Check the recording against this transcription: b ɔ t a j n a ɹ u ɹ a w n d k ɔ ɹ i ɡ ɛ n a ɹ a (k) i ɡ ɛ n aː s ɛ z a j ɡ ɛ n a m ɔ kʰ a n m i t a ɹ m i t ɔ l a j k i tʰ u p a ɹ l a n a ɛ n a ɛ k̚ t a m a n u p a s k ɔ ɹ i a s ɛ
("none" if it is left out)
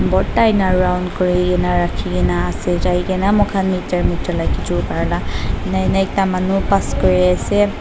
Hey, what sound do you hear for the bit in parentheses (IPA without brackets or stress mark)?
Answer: kʰ